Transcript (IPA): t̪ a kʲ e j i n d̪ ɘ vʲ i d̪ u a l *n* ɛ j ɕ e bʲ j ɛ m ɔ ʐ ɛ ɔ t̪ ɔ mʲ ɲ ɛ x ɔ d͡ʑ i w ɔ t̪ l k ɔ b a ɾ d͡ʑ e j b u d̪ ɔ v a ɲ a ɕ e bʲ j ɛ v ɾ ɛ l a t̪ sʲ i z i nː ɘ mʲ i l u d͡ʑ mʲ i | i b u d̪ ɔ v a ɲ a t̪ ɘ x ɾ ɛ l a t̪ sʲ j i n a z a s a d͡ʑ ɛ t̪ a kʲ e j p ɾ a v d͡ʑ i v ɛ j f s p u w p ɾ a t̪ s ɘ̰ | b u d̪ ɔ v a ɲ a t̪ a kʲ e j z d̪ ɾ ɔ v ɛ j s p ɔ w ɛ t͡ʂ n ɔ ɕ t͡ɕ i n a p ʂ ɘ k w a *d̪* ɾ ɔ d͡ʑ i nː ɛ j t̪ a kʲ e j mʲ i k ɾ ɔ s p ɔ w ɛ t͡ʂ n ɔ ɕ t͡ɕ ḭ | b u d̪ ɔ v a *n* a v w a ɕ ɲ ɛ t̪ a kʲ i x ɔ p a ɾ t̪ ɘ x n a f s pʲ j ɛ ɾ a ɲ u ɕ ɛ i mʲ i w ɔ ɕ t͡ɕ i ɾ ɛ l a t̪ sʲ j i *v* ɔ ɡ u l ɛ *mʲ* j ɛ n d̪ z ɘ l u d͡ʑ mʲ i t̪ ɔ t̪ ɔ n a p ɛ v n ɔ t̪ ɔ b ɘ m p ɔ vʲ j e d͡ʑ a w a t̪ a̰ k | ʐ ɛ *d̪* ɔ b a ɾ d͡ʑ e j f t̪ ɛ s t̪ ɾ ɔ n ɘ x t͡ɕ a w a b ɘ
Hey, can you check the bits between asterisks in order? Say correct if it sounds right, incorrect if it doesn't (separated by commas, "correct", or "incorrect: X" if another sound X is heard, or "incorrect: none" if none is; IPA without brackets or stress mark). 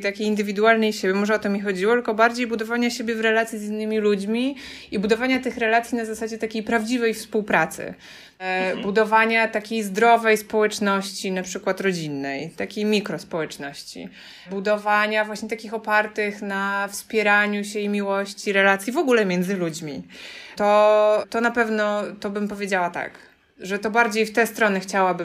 correct, incorrect: t̪, incorrect: ɲ, correct, correct, incorrect: t̪